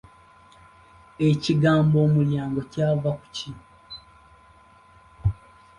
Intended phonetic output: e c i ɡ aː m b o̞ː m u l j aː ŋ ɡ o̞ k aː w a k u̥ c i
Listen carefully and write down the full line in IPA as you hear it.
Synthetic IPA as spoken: e c i ɡ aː m b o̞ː m u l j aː ŋ ɡ o̞ c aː v a k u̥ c i